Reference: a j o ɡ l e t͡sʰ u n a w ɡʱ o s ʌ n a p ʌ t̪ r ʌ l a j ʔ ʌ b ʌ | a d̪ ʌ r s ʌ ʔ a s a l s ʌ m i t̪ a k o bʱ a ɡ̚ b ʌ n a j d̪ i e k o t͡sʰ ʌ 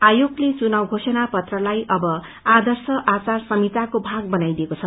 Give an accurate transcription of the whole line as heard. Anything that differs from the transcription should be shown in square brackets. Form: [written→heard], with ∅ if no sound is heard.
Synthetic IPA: a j o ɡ l e [t͡sʰ→t͡s] u n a w ɡʱ o s ʌ n a p ʌ t̪ r ʌ l a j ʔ ʌ b ʌ | a d̪ ʌ r s ʌ ʔ a [s→t͡s] a [l→r] s ʌ m i t̪ a k o bʱ a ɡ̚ b ʌ n a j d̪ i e k o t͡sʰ ʌ